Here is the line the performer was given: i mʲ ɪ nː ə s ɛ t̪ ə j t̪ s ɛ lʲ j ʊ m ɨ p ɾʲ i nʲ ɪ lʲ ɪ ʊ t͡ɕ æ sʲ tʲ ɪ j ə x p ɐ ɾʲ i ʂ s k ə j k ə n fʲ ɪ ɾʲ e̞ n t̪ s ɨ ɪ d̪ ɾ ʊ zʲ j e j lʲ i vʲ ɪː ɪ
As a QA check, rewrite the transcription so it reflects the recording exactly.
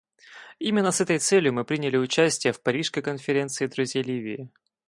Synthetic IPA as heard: i mʲ ɪ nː ə s ɛ t̪ ə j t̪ s ɛ lʲ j ʊ m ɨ p ɾʲ i nʲ ɪ lʲ ɪ ʊ t͡ɕ æ sʲ tʲ ɪ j ə f p ɐ ɾʲ i ʂ s k ə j k ə n fʲ ɪ ɾʲ e̞ n t̪ s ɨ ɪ d̪ ɾ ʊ zʲ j e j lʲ i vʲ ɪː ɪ